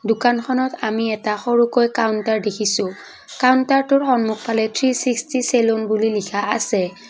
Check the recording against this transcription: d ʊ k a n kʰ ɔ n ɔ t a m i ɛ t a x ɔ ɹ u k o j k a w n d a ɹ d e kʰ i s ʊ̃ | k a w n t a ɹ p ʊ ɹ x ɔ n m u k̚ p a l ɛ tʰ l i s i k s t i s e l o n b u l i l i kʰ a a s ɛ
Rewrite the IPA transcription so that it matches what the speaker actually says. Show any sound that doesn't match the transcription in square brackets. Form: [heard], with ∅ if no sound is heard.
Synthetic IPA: d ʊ k a n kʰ ɔ n ɔ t a m i ɛ t a x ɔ ɹ u k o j k a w n [t] a ɹ d e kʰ i s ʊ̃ | k a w n t a ɹ [t] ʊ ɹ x ɔ n m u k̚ p a l ɛ tʰ [ɹ] i s i k s t i s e l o n b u l i l i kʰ a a s ɛ